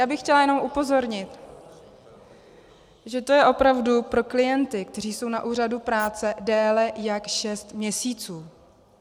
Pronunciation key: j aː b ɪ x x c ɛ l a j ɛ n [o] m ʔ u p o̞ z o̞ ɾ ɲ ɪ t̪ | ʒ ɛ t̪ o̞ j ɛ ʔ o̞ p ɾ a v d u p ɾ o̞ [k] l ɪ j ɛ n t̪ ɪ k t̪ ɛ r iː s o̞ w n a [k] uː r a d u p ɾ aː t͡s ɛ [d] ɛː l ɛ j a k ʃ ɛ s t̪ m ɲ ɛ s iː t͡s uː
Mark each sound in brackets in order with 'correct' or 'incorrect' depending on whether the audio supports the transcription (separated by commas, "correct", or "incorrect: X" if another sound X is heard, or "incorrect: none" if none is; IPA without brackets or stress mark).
correct, correct, incorrect: ʔ, correct